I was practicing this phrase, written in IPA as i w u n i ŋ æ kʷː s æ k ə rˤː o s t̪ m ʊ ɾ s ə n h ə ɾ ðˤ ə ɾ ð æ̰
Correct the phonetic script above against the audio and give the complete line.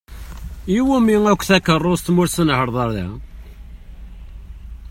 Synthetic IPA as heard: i w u m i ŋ æ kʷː θ æ k ə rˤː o s t̪ m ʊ ɾ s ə n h ə ɾ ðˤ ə ɾ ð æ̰